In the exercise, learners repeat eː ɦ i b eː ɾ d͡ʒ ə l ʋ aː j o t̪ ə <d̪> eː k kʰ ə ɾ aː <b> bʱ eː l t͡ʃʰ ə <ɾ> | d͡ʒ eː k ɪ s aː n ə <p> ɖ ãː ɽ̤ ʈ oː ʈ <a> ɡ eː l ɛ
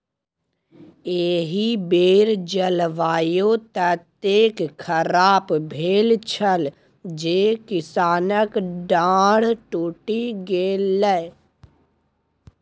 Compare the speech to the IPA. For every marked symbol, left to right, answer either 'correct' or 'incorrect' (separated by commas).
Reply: incorrect, incorrect, incorrect, incorrect, incorrect